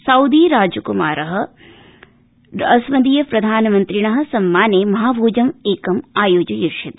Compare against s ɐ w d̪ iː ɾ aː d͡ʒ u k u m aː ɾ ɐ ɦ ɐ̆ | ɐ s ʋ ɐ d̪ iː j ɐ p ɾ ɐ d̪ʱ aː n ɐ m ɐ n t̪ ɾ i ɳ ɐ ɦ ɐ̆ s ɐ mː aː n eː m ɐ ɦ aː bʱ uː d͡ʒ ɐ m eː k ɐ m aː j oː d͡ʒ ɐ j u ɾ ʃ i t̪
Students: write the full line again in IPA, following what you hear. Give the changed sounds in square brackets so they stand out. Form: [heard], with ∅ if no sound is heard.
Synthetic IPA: s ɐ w d̪ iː ɾ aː d͡ʒ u k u m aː ɾ ɐ ɦ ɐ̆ | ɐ s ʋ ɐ d̪ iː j ɐ p ɾ ɐ d̪ʱ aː n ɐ m ɐ n t̪ ɾ i ɳ ɐ ɦ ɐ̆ s ɐ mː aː n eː m ɐ ɦ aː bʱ uː d͡ʒ ɐ m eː k ɐ m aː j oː d͡ʒ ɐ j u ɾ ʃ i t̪